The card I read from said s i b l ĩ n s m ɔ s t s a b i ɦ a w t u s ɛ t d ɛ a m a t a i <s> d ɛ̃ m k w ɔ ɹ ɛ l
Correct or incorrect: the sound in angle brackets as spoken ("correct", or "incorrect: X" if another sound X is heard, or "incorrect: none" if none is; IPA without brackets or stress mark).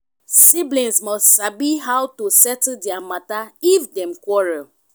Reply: incorrect: f